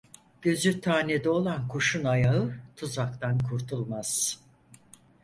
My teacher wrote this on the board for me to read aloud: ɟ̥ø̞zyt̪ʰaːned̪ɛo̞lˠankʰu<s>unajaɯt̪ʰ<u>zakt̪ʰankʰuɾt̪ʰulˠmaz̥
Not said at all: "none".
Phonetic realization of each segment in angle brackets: ʃ, u

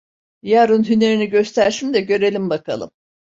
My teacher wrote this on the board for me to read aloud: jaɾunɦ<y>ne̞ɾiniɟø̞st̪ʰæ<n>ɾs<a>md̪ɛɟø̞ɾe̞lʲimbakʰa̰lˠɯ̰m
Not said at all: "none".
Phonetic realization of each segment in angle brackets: y, none, i

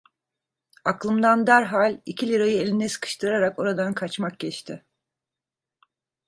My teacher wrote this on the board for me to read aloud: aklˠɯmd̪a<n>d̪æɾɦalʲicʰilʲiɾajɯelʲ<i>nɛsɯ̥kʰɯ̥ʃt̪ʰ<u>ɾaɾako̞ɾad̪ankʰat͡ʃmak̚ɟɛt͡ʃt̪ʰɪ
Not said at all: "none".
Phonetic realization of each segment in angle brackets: n, i, ɯ

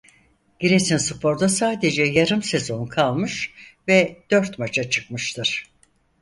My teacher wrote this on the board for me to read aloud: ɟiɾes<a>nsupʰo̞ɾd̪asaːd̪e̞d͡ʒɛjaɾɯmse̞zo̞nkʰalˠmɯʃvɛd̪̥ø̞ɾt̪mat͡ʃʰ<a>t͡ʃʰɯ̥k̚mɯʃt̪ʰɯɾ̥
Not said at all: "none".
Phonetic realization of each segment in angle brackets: i, a

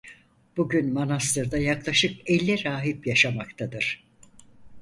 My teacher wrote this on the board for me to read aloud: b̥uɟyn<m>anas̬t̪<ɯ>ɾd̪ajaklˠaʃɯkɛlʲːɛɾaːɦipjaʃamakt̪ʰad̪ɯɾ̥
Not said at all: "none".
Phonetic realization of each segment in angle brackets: m, ɯ

